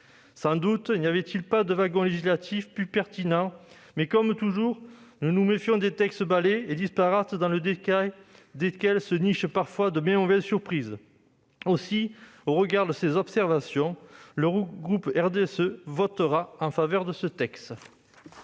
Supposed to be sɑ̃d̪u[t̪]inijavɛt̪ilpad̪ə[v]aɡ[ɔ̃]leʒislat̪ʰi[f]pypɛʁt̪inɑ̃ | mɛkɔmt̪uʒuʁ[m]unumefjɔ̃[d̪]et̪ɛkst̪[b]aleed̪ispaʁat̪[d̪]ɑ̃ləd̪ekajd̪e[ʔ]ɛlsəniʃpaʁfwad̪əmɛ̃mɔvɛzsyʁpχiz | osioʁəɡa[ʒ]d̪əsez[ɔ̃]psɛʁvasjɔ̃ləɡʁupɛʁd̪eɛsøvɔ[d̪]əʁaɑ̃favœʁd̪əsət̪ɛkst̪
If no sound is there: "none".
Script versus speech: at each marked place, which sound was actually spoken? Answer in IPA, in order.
t̪, v, ɔ̃, f, n, d̪, b, d̪, k, ʁ, ɔ, t̪

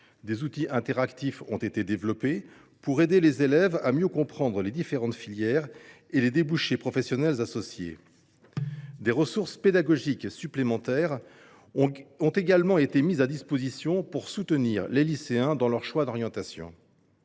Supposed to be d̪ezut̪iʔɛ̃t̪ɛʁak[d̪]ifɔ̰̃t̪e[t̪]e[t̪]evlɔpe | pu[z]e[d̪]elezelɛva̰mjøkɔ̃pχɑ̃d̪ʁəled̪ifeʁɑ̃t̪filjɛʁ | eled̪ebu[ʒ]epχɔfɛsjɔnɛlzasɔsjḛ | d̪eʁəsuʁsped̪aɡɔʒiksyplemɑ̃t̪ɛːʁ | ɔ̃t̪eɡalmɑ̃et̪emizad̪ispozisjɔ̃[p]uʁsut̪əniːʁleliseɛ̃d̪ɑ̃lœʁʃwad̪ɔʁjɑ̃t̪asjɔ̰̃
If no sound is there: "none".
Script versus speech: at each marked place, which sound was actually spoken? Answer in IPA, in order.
t̪, t̪, d̪, ʁ, d̪, ʃ, p

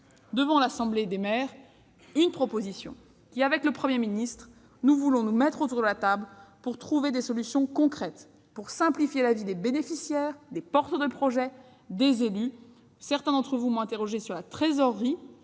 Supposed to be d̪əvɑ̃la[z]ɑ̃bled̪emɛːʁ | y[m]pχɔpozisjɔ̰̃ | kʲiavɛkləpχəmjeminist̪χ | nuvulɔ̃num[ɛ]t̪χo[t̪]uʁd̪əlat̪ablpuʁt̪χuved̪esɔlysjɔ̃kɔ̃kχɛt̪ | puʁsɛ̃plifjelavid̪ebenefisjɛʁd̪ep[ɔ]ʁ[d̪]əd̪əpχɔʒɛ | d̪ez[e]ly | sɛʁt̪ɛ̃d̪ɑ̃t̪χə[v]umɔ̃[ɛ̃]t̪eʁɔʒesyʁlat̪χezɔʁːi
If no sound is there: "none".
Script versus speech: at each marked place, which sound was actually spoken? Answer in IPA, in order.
s, n, ɛ, t̪, ɔ, t̪, e, v, ɛ̃

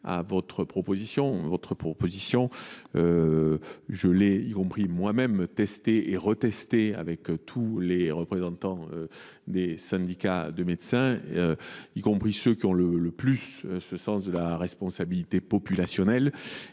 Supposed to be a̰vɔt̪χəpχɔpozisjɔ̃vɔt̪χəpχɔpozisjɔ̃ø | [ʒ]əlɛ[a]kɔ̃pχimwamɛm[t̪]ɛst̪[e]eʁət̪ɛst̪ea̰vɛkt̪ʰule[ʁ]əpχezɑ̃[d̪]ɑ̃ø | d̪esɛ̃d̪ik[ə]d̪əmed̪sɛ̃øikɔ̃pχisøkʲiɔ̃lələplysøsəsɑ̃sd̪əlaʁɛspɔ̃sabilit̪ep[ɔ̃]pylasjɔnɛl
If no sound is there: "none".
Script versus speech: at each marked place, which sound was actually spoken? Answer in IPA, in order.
ʒ, i, t̪, e, ʁ, t̪, a, ɔ

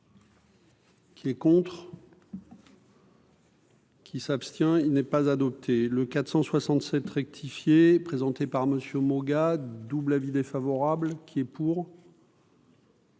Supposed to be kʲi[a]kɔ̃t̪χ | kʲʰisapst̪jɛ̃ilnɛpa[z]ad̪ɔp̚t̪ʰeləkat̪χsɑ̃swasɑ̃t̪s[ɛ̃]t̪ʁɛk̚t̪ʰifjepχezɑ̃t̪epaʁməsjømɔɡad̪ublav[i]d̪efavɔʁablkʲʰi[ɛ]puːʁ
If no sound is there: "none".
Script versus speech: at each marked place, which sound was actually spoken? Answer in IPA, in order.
ɛ, z, ɛ, i, ɛ

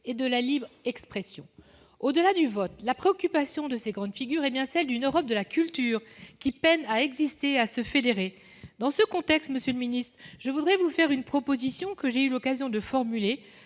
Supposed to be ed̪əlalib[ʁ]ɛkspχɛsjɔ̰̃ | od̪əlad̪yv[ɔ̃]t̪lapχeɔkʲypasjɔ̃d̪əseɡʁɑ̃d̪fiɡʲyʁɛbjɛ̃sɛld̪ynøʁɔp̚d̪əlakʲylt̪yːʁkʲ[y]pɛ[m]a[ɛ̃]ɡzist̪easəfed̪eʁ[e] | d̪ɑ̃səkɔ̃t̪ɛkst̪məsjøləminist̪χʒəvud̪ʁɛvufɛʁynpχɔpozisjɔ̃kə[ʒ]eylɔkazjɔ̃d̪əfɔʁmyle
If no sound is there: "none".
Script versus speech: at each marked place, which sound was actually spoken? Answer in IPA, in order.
ʁ, ɔ, i, n, ɛ, e, ʒ

